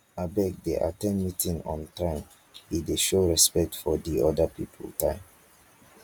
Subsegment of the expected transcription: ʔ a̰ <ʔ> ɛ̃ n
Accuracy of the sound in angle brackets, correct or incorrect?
incorrect